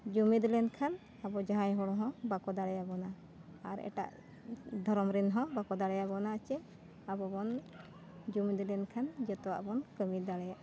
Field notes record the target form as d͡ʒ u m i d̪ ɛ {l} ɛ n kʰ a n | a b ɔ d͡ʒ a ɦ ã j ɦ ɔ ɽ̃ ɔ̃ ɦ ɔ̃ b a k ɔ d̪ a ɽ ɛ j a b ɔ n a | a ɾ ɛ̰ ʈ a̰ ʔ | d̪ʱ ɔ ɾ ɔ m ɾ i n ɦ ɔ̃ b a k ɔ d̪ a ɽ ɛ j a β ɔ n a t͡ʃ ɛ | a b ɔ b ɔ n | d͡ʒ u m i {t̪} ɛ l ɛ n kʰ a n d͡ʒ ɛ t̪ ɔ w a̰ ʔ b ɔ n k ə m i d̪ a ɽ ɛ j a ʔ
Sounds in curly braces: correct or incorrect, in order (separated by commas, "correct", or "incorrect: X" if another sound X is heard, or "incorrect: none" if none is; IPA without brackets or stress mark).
correct, incorrect: d̪